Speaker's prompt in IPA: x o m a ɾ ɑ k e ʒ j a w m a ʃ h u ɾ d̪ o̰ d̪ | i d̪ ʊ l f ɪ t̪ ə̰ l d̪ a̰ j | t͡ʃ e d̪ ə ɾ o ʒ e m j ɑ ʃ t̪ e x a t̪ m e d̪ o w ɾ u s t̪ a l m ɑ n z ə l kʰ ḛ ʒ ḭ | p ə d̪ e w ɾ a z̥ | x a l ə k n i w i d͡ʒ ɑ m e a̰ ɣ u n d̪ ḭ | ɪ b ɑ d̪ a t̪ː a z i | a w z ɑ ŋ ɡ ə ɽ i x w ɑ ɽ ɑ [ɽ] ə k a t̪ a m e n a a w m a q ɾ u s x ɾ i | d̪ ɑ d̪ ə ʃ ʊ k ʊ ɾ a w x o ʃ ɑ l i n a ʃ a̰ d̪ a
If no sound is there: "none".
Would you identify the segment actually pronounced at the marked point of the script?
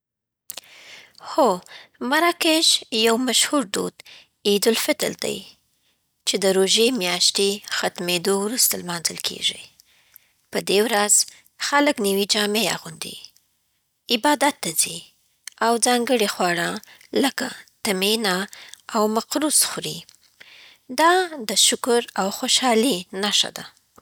l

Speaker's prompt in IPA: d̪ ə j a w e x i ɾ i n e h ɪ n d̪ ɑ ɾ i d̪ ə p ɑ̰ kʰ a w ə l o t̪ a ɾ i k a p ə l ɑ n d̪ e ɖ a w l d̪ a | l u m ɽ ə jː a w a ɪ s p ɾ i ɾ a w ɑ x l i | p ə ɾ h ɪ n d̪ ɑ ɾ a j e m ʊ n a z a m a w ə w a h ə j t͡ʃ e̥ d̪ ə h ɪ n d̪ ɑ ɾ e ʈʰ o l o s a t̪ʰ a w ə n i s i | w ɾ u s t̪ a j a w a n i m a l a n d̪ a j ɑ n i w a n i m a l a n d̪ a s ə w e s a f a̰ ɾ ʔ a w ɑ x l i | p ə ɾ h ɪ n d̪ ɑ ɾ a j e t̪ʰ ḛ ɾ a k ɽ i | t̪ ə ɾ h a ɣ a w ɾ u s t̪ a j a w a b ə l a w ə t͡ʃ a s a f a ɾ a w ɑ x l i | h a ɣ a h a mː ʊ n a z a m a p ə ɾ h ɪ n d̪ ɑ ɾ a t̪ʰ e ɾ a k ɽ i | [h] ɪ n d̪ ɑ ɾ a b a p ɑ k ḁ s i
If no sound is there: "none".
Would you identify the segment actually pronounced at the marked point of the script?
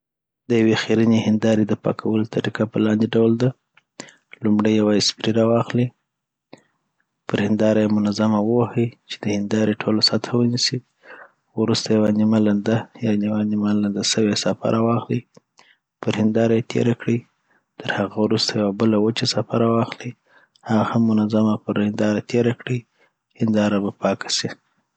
h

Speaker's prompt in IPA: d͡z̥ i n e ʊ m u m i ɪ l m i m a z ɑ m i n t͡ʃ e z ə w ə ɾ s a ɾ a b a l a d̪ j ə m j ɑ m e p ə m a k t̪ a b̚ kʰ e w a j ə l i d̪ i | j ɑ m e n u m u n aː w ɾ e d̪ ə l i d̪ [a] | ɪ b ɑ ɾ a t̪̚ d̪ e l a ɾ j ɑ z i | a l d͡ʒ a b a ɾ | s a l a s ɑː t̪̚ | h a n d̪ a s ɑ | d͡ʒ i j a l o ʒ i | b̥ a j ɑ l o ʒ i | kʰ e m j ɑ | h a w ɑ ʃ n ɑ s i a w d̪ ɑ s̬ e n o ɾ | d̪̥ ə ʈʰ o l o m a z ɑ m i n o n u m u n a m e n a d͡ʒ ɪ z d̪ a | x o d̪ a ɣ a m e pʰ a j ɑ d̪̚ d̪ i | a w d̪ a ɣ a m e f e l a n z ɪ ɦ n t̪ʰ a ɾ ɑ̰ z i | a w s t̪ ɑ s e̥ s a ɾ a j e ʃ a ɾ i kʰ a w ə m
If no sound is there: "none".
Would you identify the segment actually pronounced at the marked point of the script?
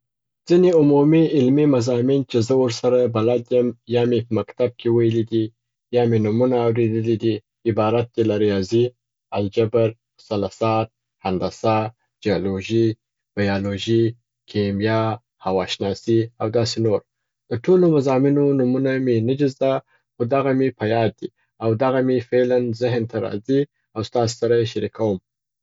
i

